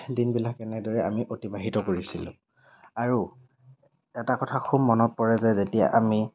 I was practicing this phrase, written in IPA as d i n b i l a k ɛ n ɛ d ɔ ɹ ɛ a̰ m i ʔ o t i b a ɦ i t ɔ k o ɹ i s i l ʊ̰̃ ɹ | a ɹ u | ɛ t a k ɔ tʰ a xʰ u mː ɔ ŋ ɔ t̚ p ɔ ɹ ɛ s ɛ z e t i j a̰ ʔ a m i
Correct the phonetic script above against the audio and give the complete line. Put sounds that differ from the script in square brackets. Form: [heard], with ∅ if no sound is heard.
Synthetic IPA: d i n b i l a k ɛ n ɛ d ɔ ɹ ɛ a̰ m i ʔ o t i b a ɦ i t ɔ k o ɹ i s i l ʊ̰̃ [∅] | a ɹ u | ɛ t a k ɔ tʰ a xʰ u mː ɔ [n] ɔ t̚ p ɔ ɹ ɛ [z] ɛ z e t i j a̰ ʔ a m i